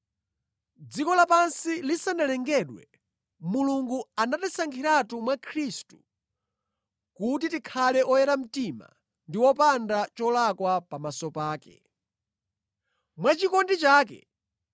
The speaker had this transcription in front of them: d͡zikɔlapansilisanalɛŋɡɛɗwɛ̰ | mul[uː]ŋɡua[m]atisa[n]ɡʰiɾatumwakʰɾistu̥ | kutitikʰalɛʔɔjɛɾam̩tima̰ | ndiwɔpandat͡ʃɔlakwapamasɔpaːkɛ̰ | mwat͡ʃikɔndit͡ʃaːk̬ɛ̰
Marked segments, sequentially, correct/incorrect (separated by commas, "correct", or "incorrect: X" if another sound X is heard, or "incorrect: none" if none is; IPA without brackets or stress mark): incorrect: u, incorrect: n, incorrect: ŋ